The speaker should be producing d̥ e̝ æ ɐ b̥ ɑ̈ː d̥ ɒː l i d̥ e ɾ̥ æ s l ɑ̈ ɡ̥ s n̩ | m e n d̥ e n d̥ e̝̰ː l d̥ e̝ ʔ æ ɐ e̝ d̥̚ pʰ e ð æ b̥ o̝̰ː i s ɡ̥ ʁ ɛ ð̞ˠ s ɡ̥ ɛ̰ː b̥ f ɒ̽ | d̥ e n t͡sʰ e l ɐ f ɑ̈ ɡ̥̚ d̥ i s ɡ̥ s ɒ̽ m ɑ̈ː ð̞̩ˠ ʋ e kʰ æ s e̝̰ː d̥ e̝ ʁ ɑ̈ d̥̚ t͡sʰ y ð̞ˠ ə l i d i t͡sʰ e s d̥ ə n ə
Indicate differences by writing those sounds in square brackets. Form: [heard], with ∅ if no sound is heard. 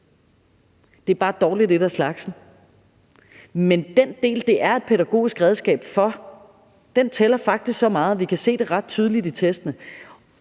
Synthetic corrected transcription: d̥ e̝ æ ɐ b̥ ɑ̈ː d̥ ɒː l i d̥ e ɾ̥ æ s l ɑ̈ ɡ̥ s n̩ | m e n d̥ e n d̥ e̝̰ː l d̥ e̝ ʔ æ ɐ e̝ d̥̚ pʰ e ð æ [ɡ̥] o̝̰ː i s ɡ̥ ʁ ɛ ð̞ˠ s ɡ̥ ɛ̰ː b̥ f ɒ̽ | d̥ e n t͡sʰ e l ɐ f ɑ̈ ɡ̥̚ d̥ i s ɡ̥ s ɒ̽ m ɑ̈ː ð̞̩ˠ ʋ [i] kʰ æ s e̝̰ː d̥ e̝ ʁ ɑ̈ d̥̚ t͡sʰ y ð̞ˠ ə l i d i t͡sʰ e s d̥ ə n ə